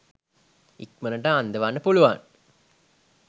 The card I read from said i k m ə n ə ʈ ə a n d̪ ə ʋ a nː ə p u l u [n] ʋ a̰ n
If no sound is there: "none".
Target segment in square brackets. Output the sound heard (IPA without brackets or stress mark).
none